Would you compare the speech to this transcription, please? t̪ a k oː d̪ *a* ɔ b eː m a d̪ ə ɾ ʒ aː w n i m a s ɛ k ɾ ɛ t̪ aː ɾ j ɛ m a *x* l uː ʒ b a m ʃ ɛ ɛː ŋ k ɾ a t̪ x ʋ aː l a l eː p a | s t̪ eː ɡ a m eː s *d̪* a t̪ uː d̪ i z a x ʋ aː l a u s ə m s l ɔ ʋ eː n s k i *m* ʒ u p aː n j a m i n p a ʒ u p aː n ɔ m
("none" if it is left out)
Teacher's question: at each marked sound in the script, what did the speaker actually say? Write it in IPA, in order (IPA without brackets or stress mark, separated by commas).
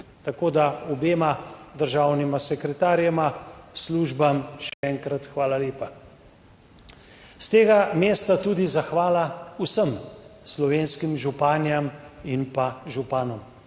a, s, t̪, m